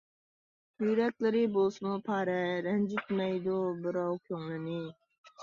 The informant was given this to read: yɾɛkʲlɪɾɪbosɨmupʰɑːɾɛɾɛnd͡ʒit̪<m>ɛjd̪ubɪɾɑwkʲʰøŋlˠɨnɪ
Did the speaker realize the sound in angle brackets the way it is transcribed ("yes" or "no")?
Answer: yes